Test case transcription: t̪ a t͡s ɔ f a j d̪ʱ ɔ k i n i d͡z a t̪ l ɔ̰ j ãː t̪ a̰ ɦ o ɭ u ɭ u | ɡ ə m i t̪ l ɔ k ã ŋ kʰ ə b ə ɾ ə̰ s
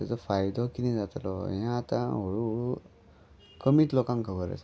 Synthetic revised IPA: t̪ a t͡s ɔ f a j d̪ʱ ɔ k i n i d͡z a t̪ l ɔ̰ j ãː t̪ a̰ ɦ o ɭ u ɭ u | k ə m i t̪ l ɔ k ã ŋ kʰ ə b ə ɾ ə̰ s